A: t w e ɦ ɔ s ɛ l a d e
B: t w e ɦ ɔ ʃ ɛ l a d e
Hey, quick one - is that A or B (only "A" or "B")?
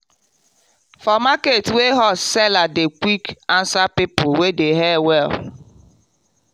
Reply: A